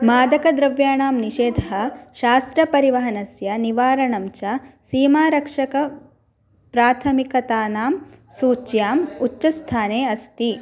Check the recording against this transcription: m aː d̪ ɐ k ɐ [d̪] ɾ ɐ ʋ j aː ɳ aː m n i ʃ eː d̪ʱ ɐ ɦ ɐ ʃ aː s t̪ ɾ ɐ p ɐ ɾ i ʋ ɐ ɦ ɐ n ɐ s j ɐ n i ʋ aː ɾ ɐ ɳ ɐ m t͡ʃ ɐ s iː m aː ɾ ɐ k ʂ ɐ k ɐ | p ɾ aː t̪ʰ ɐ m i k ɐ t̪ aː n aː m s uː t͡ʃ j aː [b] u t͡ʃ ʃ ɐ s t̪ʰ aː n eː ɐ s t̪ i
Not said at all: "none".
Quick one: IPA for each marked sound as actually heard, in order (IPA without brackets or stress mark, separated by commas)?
d̪, m